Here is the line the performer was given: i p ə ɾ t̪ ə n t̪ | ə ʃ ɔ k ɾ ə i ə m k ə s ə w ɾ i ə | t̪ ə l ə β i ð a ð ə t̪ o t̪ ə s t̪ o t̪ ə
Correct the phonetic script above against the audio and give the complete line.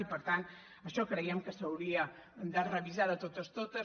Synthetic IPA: i p ə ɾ t̪ a n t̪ | ə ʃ ɔ k ɾ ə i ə m k ə s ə w ɾ i ə | d̪ ə r ə β i z a ð ə t̪ o t̪ ə s t̪ o t̪ ə